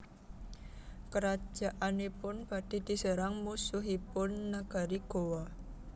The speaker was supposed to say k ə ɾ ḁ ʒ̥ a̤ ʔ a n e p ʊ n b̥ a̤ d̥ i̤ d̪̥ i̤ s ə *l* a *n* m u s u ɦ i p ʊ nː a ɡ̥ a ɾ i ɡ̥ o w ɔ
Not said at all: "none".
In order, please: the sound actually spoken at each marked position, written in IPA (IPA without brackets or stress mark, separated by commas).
ɾ, ŋ